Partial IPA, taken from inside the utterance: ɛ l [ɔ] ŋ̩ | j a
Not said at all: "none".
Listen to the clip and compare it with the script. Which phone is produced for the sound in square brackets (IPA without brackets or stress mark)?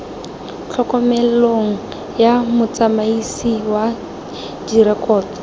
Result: o